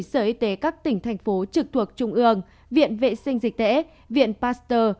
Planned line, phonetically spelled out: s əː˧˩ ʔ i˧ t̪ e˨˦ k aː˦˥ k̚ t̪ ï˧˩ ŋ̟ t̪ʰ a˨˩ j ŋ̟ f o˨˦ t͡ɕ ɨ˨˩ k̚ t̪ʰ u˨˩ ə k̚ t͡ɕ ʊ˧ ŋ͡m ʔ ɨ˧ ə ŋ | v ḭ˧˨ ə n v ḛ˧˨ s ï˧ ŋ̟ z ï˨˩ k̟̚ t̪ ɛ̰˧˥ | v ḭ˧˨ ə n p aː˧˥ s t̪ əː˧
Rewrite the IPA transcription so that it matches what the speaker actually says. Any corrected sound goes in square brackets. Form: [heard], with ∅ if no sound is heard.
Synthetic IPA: s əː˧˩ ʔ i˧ t̪ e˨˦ k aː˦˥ k̚ t̪ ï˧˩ ŋ̟ t̪ʰ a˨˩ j ŋ̟ f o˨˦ t͡ɕ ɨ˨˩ k̚ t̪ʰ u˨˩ ə k̚ t͡ɕ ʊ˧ ŋ͡m ʔ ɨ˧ ə ŋ | v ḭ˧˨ ə n v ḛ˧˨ s ï˧ ŋ̟ z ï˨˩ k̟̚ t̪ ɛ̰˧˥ | v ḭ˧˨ ə n p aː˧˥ s t̪ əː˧